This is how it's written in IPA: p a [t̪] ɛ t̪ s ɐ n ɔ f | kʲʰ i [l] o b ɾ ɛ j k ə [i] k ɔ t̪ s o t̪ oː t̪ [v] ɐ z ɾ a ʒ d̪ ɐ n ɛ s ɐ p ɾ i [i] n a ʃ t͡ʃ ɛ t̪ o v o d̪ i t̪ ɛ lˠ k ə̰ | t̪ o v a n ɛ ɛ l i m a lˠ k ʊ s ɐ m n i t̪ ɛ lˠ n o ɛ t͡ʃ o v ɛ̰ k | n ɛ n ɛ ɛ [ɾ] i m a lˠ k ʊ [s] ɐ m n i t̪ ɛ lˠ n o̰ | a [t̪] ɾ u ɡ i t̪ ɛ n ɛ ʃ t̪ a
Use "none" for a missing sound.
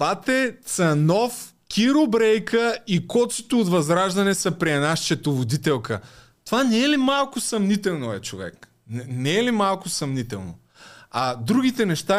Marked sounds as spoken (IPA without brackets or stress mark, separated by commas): t̪, ɾ, i, v, ɛ, l, s, d̪